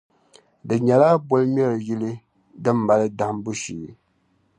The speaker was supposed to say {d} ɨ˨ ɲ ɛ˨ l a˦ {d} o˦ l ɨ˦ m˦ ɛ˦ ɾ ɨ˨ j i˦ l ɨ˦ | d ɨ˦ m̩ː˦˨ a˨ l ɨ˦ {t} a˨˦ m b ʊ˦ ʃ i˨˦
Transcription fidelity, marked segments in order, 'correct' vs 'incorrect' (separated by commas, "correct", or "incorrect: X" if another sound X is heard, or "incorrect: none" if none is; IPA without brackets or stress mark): correct, incorrect: b, incorrect: d